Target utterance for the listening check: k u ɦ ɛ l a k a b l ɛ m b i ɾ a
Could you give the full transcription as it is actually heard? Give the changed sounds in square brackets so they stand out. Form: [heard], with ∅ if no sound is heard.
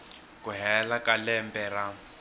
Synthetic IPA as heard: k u ɦ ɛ l a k a [∅] l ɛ m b [ɛ] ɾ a